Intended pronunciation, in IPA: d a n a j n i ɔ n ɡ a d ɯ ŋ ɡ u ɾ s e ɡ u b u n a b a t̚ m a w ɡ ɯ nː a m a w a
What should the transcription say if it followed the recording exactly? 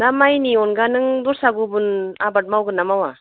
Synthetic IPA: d a m a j n i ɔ n ɡ a n ɯ ŋ d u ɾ s a ɡ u b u n a b a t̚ m a w ɡ ɯ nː a m a w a